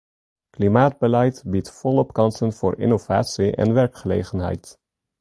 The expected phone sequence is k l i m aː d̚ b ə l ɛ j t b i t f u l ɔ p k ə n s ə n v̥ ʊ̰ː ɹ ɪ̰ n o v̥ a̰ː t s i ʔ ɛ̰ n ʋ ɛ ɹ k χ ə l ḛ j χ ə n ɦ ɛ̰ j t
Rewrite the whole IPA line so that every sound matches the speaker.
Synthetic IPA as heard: k l i m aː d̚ b ə l ɛ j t b i t f ɔ l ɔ p k ɑ n s ə n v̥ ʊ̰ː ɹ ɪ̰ n o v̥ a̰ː t s i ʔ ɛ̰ n ʋ ɛ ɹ k χ ə l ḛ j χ ə n ɦ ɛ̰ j t